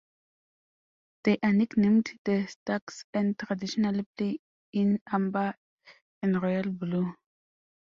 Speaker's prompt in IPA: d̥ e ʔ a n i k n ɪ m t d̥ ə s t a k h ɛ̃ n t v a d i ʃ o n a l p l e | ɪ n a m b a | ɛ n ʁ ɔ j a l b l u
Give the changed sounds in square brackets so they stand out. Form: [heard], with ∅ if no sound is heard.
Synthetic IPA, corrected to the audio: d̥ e ʔ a n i k n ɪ m t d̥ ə s t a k [s] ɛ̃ n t [ʁ] a d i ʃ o n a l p l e | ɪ n a m b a | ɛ n ʁ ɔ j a l b l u